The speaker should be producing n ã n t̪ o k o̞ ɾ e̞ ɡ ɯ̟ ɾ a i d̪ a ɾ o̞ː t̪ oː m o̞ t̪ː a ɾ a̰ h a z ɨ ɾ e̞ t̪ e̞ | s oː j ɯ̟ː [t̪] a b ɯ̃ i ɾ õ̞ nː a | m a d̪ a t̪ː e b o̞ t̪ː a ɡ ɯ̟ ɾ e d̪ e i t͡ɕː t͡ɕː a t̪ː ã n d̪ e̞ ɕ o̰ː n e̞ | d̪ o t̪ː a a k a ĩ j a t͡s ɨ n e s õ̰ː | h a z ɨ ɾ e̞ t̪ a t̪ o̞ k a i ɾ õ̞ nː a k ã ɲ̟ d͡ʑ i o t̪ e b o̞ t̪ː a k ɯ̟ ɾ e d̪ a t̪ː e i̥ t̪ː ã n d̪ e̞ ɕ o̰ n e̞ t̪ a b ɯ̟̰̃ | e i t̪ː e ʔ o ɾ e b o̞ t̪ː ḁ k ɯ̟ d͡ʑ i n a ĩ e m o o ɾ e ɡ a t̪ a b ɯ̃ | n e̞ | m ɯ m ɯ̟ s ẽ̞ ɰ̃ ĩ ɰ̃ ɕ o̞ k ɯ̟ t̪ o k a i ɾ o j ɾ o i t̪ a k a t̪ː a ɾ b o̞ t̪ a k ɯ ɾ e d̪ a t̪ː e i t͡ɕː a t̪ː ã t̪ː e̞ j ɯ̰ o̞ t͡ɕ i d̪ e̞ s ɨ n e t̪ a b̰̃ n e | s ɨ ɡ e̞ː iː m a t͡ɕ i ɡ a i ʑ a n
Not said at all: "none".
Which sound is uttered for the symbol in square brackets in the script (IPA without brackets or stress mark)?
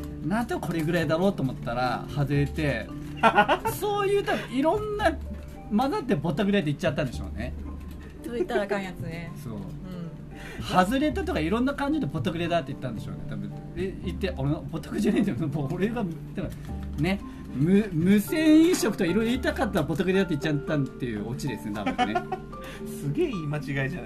t̪